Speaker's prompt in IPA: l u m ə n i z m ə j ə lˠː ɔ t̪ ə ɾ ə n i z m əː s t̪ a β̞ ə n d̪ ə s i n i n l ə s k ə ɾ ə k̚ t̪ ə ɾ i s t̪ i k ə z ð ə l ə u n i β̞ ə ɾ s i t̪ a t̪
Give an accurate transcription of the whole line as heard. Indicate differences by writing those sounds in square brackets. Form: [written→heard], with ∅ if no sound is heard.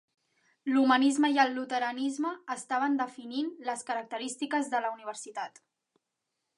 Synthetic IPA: l u m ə n i z m ə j ə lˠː [ɔ→u] t̪ ə ɾ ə n i z m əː s t̪ a β̞ ə n d̪ ə [s→f] i n i n l ə s k ə ɾ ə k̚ t̪ ə ɾ i s t̪ i k ə z ð ə l ə u n i β̞ ə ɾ s i t̪ a t̪